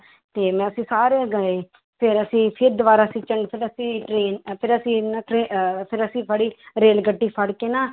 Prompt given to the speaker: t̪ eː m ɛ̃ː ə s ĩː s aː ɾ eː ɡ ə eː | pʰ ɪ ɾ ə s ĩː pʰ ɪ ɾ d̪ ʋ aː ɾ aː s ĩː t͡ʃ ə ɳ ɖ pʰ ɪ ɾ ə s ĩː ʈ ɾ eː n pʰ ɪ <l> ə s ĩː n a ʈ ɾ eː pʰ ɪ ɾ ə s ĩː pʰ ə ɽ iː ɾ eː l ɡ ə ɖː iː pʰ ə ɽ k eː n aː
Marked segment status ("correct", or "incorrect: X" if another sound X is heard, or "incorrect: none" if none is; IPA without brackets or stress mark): incorrect: ɾ